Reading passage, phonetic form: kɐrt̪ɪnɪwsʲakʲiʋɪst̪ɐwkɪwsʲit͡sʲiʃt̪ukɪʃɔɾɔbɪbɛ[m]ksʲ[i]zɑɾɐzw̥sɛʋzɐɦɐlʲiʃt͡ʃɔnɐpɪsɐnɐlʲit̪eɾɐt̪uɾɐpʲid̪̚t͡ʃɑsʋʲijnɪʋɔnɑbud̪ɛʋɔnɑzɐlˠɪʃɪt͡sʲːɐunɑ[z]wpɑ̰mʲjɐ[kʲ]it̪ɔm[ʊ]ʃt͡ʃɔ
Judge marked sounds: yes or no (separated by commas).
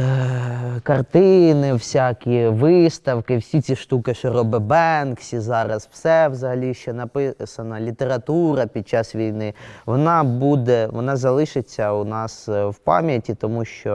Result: no, yes, no, no, no